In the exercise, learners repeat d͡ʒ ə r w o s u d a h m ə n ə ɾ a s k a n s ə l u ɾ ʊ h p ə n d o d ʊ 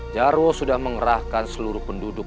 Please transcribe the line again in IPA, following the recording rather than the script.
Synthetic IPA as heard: d͡ʒ a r w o s u d a h m ə ŋ ə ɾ a h k a n s ə l u ɾ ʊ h p ə n d u d ʊ